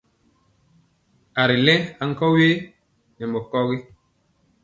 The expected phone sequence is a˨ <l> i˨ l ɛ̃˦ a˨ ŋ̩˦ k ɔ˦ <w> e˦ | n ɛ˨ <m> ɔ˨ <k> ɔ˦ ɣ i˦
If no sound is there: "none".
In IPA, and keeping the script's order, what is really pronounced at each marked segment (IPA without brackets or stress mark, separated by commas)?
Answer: ɾ, w, m, k